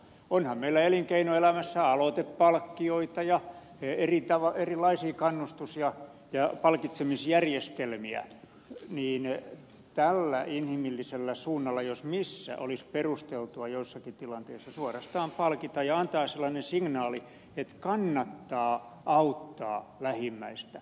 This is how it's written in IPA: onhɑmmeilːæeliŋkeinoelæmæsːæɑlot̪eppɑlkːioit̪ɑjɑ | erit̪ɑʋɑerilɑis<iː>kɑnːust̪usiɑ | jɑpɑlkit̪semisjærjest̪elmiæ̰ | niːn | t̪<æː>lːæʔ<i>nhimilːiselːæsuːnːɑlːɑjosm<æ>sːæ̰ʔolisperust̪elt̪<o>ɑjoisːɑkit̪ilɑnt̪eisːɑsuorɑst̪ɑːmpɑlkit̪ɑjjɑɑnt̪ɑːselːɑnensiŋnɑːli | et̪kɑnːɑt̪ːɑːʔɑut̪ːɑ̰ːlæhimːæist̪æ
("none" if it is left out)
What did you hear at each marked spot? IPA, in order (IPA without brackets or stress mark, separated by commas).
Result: iː, æ, i, i, u